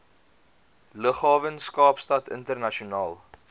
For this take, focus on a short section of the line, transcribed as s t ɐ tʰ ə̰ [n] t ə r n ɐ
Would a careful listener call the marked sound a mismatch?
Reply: no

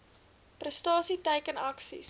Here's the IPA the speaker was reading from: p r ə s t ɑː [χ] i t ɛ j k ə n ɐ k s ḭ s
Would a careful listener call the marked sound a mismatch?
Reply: yes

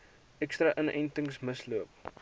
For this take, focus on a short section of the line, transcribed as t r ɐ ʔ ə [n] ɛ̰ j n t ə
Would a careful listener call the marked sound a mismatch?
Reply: no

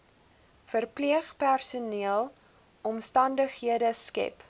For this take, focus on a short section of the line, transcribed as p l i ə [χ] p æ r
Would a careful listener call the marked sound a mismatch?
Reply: no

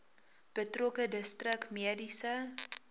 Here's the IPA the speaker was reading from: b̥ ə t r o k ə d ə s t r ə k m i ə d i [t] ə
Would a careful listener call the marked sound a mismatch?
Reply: yes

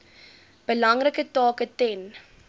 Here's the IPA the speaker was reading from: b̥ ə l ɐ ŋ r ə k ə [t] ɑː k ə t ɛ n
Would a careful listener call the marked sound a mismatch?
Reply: no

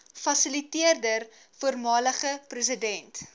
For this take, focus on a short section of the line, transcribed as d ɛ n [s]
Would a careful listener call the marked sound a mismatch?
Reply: yes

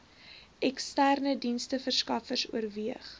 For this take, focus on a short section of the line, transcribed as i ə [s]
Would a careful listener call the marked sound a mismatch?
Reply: yes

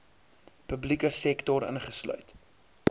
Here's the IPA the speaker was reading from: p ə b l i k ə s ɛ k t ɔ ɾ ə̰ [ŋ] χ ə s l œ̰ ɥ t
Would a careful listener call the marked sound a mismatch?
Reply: yes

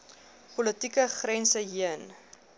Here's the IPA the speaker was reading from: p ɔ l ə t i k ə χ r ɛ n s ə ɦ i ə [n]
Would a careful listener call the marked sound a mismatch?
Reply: no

